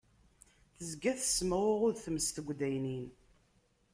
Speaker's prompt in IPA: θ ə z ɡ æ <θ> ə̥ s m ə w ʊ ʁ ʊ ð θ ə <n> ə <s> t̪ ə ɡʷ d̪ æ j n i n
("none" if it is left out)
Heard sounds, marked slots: θ, m, s

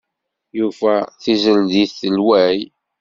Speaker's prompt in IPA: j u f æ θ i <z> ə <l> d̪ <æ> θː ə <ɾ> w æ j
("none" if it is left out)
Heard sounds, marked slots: z, l, i, l

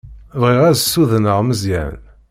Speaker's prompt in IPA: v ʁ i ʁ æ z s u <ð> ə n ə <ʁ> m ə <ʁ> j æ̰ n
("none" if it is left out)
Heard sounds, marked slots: ð, ʁ, z

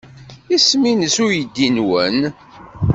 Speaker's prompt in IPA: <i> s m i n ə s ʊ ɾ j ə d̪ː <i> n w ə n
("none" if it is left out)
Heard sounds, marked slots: i, i

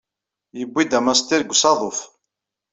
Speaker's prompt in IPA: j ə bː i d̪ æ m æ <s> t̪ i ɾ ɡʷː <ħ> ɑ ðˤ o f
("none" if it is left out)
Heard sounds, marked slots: s, s

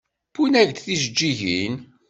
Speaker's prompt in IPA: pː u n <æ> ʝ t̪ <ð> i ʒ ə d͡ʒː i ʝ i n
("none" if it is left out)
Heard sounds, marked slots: æ, θ

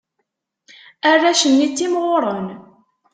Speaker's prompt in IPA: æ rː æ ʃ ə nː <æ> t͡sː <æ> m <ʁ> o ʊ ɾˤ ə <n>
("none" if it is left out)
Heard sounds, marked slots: i, i, ʁ, n

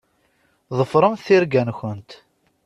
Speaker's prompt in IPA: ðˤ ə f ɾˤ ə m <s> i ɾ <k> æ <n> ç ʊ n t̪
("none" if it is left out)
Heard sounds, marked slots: θ, ɡ, n

